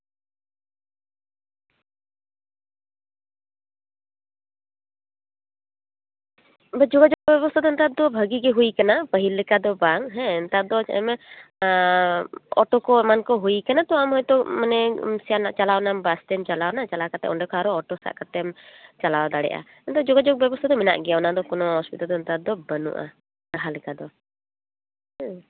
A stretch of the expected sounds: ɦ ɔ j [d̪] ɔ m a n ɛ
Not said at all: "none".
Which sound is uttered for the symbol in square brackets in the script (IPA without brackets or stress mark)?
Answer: t̪